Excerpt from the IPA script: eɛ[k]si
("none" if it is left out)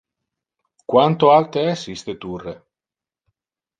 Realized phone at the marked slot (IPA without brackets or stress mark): none